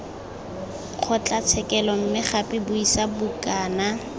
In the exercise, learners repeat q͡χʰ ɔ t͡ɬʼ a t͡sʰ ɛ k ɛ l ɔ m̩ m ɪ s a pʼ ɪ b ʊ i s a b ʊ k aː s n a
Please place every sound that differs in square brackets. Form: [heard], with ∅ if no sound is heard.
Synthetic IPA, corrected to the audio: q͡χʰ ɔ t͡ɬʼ a t͡sʰ ɛ k ɛ l ɔ m̩ m ɪ [χ] a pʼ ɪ b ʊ i s a b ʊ k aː [∅] n a